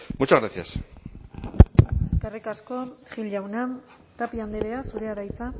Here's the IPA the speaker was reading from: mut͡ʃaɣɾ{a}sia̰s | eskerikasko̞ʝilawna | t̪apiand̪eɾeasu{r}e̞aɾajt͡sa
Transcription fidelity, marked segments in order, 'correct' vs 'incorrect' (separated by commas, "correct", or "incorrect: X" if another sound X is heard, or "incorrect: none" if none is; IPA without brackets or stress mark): correct, incorrect: ɾ